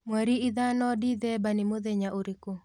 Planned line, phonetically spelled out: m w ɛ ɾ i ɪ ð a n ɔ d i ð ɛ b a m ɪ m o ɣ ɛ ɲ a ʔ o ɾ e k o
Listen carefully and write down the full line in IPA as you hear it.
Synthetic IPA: m w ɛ ɾ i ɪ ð a n ɔ d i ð ɛ b a n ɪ m o ð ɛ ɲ a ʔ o ɾ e k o